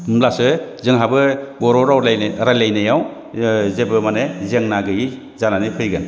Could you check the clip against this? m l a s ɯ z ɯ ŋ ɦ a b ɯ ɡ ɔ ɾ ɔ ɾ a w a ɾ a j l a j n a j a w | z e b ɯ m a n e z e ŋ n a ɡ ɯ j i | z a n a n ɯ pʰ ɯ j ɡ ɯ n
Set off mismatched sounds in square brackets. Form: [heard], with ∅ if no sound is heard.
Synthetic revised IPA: m l a s ɯ z ɯ ŋ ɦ a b ɯ ɡ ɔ ɾ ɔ ɾ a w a ɾ a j l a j n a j a w | z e b ɯ m a n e z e ŋ n a ɡ ɯ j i | z a n a n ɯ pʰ ɯ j ɡ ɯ n

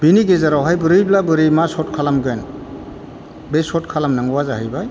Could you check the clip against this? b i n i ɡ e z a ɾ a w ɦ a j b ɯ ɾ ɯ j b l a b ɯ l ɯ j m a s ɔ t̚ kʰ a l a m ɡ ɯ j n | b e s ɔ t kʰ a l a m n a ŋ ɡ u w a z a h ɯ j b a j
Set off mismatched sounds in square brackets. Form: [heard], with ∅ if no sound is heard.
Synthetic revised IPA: b i n i ɡ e z a ɾ a w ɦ a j b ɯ ɾ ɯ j b l a b ɯ [ɾ] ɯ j m a s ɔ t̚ kʰ a l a m ɡ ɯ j n | b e s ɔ t kʰ a l a m n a ŋ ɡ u w a z a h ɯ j b a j

